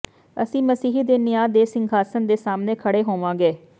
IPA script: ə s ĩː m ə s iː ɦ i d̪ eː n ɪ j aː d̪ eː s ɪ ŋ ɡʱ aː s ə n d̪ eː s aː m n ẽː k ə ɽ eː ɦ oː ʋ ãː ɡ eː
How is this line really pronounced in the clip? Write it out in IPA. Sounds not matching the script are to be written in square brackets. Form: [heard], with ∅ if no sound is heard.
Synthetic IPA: ə s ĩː m ə s iː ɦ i d̪ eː n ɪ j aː d̪ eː s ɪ ŋ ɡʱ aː s ə n d̪ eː s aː m n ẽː [kʰ] ə ɽ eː ɦ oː ʋ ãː ɡ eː